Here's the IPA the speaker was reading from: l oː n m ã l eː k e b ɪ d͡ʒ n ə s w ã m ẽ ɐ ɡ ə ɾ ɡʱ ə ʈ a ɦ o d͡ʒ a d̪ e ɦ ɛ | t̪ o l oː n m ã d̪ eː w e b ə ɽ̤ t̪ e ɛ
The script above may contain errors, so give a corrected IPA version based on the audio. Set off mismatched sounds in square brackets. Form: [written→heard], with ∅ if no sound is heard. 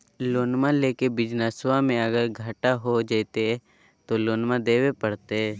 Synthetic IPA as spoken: l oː n m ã l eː k e b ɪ d͡ʒ n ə s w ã m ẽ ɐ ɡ ə ɾ ɡʱ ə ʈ a ɦ o d͡ʒ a [d̪→t̪] e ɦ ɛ | t̪ o l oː n m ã d̪ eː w e [b→p] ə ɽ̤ t̪ e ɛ